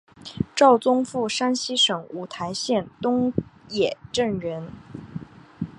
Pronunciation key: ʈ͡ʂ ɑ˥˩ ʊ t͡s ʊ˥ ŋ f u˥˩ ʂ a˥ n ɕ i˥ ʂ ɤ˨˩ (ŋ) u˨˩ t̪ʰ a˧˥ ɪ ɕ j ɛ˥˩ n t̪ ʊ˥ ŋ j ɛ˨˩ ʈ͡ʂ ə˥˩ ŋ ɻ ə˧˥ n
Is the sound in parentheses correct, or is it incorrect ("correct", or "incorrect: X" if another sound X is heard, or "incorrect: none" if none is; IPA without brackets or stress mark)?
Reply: correct